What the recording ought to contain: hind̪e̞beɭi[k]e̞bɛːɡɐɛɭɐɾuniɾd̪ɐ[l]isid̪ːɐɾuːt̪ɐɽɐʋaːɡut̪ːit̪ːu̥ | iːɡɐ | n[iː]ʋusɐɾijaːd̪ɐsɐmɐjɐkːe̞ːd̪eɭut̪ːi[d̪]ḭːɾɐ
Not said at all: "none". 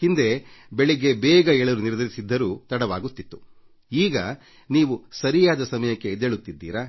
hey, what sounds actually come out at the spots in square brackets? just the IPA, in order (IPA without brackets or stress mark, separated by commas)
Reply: ɡ, ɾ, iː, d̪ː